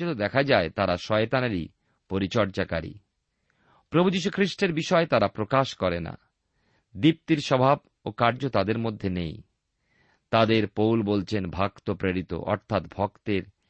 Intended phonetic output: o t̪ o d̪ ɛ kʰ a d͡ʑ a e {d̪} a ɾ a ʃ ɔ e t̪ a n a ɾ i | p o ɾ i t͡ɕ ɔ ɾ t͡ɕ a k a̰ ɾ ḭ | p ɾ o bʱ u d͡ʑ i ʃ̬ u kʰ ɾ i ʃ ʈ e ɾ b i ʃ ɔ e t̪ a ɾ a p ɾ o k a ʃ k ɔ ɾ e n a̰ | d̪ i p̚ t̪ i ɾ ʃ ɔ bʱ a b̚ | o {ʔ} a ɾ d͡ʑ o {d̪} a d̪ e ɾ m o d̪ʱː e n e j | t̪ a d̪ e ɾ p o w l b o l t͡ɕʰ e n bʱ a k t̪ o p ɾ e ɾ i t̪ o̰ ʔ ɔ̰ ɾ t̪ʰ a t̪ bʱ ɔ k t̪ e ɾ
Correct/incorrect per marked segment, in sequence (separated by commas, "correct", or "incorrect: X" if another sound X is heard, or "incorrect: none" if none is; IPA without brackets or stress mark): incorrect: t̪, incorrect: k, incorrect: t̪